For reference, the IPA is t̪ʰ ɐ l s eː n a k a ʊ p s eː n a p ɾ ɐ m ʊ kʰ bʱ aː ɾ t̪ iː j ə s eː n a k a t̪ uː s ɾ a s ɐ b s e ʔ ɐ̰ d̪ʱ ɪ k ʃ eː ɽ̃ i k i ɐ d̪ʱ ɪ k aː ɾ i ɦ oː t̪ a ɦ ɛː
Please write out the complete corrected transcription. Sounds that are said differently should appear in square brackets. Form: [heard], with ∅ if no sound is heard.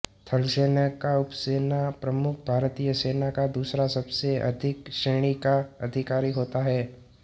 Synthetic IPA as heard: t̪ʰ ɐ l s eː n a k a ʊ p s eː n a p ɾ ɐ m ʊ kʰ bʱ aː ɾ t̪ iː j ə s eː n a k a [d̪] uː s ɾ a s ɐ b s e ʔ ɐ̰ d̪ʱ ɪ k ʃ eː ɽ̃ i k [a] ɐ d̪ʱ ɪ k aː ɾ i ɦ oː t̪ a ɦ ɛː